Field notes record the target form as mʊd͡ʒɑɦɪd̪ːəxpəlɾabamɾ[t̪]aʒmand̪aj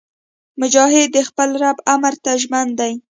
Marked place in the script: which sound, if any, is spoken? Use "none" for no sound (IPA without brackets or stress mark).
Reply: t̪